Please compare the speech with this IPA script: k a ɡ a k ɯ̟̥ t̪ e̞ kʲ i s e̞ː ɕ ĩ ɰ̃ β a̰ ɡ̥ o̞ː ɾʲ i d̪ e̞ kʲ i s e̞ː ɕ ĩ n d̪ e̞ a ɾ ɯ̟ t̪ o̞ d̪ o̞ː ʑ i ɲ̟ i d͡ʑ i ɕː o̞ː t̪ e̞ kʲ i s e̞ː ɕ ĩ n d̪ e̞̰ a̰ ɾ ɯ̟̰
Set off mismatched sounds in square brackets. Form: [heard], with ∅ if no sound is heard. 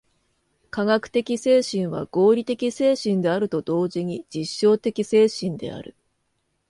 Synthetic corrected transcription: k a ɡ a k ɯ̟̥ t̪ e̞ kʲ i s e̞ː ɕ ĩ ɰ̃ β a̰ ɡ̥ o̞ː ɾʲ i [t̪] e̞ kʲ i s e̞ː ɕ ĩ n d̪ e̞ a ɾ ɯ̟ t̪ o̞ d̪ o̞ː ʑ i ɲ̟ i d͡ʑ i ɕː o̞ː t̪ e̞ kʲ i s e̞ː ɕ ĩ n d̪ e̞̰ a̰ ɾ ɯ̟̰